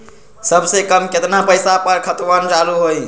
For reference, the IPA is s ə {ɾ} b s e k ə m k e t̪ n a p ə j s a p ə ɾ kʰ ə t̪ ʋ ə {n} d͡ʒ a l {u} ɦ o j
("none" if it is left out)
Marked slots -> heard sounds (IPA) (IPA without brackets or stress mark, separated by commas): none, n, u